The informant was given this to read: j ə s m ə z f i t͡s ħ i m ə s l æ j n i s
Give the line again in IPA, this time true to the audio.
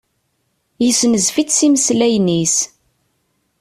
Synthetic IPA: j ə s n ə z f i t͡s s i m ə s l æ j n i s